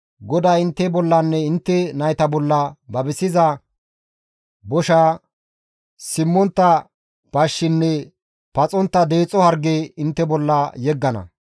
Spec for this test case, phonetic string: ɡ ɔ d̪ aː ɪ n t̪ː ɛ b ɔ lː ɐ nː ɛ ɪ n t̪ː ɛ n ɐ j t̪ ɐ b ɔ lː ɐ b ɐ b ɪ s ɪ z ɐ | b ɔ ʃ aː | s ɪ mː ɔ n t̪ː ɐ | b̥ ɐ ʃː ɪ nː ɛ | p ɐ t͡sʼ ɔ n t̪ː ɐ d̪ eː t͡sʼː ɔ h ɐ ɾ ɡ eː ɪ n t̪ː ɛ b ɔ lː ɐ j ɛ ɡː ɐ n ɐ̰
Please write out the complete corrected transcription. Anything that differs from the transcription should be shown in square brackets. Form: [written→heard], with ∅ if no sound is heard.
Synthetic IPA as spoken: ɡ ɔ d̪ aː ɪ n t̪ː ɛ b ɔ lː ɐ nː ɛ ɪ n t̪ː ɛ n ɐ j t̪ ɐ b ɔ lː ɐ b ɐ b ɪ s ɪ z ɐ | b ɔ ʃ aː | s ɪ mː ɔ n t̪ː ɐ | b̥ ɐ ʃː ɪ nː ɛ | p ɐ t͡sʼ ɔ n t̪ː ɐ d̪ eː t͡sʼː ɔ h ɐ ɾ ɡ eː ɪ n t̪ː ɛ b ɔ lː ɐ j ɛ ɡː ɐ n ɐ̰